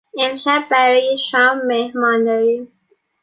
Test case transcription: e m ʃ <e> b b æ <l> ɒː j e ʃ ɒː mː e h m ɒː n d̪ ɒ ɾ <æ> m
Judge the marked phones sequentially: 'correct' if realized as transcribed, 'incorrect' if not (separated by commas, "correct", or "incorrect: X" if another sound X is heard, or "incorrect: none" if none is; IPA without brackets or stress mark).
incorrect: æ, incorrect: ɾ, incorrect: i